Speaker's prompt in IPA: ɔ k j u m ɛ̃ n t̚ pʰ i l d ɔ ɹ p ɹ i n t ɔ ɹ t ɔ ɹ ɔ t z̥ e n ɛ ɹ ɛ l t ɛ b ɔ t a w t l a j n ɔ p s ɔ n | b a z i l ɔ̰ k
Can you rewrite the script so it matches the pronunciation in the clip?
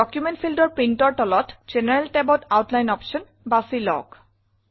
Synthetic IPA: ɔ k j u m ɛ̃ n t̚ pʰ i l d ɔ ɹ p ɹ i n t ɔ ɹ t ɔ l ɔ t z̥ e n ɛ ɹ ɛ l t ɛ b ɔ t a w t l a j n ɔ p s ɔ n | b a s i l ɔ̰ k